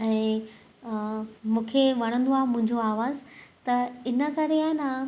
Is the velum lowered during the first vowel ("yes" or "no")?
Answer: yes